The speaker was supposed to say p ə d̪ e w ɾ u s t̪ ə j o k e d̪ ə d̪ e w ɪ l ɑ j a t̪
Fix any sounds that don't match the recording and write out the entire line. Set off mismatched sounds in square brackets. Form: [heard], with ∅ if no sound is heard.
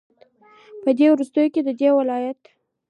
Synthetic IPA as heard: p ə d̪ e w ɾ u s t̪ ə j o k e d̪ ə d̪ e w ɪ l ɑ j a t̪